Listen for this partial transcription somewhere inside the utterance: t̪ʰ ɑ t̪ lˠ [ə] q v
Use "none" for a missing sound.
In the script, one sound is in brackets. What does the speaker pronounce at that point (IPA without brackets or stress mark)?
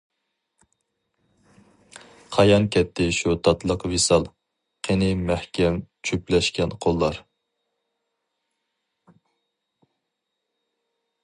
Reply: ə